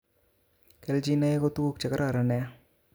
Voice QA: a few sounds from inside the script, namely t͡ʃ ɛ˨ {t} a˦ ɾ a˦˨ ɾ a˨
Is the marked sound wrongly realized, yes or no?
yes